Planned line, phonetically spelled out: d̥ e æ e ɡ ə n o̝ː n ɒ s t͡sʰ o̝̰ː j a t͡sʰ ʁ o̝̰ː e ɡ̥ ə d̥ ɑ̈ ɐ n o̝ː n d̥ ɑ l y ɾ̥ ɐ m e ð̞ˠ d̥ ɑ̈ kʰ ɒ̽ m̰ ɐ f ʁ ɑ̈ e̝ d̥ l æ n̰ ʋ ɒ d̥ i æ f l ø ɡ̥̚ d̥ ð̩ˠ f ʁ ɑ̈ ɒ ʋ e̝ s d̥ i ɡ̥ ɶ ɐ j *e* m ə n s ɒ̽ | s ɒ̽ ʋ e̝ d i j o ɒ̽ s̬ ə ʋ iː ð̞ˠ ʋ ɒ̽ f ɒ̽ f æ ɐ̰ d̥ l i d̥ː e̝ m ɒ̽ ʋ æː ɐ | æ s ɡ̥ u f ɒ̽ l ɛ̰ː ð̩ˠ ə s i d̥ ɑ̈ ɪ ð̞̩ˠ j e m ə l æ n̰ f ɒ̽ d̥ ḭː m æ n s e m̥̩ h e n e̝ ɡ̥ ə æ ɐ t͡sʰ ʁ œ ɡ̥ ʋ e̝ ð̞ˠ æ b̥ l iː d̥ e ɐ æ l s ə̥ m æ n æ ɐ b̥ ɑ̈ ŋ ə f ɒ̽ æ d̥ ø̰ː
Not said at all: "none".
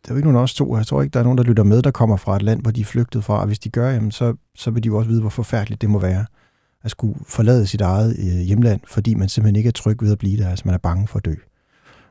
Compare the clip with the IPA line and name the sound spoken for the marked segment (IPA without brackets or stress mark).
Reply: æ